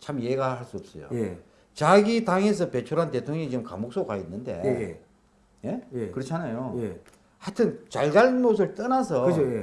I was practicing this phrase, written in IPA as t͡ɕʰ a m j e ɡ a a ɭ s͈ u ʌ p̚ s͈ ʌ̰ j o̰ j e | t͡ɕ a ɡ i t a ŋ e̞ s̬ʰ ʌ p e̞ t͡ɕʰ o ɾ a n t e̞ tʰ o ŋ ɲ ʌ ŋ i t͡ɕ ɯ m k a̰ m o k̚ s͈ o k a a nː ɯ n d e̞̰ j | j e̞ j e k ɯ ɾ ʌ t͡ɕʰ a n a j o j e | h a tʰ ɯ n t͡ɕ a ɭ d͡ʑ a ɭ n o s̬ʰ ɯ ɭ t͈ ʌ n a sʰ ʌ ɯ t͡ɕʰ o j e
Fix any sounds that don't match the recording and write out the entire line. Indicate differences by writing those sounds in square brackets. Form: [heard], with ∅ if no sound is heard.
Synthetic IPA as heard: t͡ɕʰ a m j e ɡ a a ɭ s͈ u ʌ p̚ s͈ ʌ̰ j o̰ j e | t͡ɕ a ɡ i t a ŋ e̞ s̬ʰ ʌ p e̞ t͡ɕʰ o ɾ a n t e̞ tʰ o ŋ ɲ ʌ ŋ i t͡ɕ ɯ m k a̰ m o k̚ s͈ o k a [i] nː ɯ n d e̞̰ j | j e̞ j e k ɯ ɾ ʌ t͡ɕʰ a n a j o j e | h a tʰ ɯ n t͡ɕ a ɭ d͡ʑ a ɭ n o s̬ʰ ɯ ɭ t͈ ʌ n a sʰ ʌ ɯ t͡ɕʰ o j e

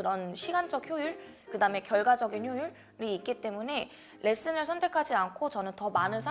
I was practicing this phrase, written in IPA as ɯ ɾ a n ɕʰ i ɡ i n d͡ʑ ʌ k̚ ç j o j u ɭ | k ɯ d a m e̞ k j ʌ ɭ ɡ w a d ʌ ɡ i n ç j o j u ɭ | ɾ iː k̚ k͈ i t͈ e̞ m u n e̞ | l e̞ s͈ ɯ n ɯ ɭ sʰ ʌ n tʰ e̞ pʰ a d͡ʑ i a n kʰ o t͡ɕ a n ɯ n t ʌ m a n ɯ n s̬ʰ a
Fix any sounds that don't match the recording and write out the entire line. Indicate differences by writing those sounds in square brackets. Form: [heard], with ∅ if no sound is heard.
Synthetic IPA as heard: ɯ ɾ [ʌ] n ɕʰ i ɡ [a] n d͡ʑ ʌ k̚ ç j o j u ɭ | k ɯ d a m e̞ k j ʌ ɭ ɡ w a [d͡ʑ] ʌ ɡ i n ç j o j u ɭ | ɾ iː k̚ k͈ i t͈ e̞ m u n e̞ | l e̞ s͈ ɯ n ɯ ɭ sʰ ʌ n tʰ e̞ [kʰ] a d͡ʑ i a n kʰ o t͡ɕ [ʌ] n ɯ n t ʌ m a n ɯ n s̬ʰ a

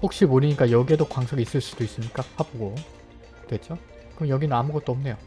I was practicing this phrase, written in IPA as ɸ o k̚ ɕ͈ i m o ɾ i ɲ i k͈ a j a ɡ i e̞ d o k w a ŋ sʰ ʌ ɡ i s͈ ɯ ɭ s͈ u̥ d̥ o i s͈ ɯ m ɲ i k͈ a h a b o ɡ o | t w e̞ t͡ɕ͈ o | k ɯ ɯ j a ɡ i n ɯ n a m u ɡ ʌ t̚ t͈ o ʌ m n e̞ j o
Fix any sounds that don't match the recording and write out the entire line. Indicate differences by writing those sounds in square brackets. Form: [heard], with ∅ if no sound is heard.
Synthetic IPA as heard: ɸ o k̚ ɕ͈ i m o ɾ i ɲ i k͈ a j [ʌ] ɡ i e̞ d o k w a ŋ sʰ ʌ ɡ i s͈ ɯ ɭ s͈ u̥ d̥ o i s͈ ɯ m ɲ i k͈ a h a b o ɡ o | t w e̞ t͡ɕ͈ o | k ɯ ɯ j [ʌ] ɡ i n ɯ n a m u ɡ ʌ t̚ t͈ o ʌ m n e̞ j o

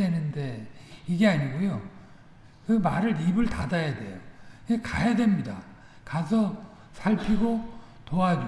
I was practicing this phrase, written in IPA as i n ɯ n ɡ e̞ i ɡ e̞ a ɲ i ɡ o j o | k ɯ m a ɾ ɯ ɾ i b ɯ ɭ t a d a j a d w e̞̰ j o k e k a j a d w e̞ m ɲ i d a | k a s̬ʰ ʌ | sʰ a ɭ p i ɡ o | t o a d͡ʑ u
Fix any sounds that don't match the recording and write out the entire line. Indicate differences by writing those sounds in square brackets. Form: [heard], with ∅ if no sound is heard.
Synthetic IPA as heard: [e] n ɯ n [d] e̞ i ɡ e̞ a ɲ i ɡ o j o | k ɯ m a ɾ ɯ ɾ i b ɯ ɭ t a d a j a d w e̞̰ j o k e k a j a d w e̞ m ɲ i d a | k a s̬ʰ ʌ | sʰ a ɭ [pʰ] i ɡ o | t o a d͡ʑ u

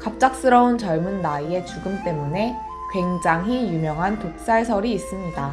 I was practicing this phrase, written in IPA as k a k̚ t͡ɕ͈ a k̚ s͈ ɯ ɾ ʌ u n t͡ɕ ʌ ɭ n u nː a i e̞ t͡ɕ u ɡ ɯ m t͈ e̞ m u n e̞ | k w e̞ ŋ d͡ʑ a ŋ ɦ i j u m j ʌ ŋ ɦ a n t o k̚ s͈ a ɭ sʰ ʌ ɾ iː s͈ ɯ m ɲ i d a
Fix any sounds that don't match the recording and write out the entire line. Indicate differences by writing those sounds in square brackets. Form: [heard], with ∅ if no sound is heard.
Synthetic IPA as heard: k a [p̚] t͡ɕ͈ a k̚ s͈ ɯ ɾ ʌ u n t͡ɕ ʌ ɭ [m] u nː a i e̞ t͡ɕ u ɡ ɯ m t͈ e̞ m u n e̞ | k w e̞ ŋ d͡ʑ a ŋ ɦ i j u m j ʌ ŋ ɦ a n t o k̚ s͈ a ɭ sʰ ʌ ɾ iː s͈ ɯ m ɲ i d a

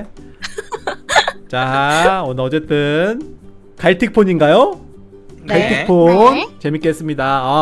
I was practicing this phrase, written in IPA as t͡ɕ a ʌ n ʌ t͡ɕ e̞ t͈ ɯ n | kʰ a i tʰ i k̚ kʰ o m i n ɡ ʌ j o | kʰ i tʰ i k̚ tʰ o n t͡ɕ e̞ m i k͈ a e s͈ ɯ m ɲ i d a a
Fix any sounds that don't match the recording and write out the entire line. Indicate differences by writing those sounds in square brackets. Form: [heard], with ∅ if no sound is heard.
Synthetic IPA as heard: t͡ɕ a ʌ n ʌ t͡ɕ e̞ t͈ ɯ n | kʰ a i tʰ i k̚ [pʰ] o [ɲ] i n ɡ [a] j o | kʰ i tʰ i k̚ [pʰ] o n t͡ɕ e̞ m i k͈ [e] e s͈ ɯ m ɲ i d a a

